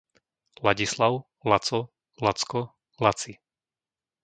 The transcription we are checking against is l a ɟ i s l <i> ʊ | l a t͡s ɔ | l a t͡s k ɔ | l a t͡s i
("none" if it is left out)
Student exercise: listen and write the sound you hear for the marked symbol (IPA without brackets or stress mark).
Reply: a